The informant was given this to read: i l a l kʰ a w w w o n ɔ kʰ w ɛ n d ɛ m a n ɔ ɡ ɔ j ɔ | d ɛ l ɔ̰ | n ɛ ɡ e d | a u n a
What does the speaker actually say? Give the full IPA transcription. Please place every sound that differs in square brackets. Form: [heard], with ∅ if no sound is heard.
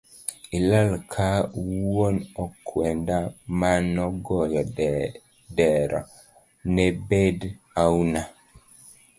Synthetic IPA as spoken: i l a l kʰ a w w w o n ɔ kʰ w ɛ n d [a] m a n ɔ ɡ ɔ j ɔ | d ɛ [ɾ] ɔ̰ | n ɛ [b] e d | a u n a